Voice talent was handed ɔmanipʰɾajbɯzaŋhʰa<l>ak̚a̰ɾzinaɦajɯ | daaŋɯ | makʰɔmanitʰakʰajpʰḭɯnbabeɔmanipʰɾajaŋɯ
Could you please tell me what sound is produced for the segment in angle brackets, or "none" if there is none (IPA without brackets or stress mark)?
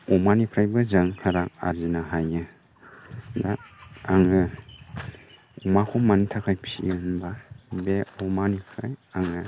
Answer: ɾ